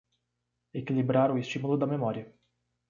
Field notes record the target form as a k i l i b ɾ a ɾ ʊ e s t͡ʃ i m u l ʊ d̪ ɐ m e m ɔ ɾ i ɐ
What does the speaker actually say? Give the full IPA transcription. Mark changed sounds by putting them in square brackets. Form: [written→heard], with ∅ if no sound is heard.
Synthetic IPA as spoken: [a→e] k i l i b ɾ a ɾ ʊ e s t͡ʃ i m u l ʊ d̪ ɐ m e m ɔ ɾ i ɐ